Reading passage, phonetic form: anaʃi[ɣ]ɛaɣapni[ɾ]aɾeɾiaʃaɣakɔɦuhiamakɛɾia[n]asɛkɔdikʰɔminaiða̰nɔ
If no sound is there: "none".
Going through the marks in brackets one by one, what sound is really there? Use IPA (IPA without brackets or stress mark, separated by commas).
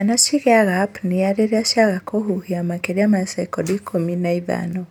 ɣ, none, m